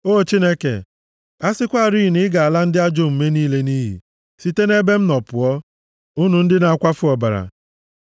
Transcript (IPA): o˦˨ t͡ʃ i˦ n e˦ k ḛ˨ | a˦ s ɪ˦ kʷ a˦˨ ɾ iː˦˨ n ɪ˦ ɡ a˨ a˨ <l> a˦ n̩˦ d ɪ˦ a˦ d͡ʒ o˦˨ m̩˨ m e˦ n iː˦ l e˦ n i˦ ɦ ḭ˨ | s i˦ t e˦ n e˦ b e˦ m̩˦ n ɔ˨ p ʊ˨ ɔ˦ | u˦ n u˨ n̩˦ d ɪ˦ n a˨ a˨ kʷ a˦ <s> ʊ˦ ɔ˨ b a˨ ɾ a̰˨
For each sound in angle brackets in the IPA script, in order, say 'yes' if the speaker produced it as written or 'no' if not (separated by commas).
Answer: yes, no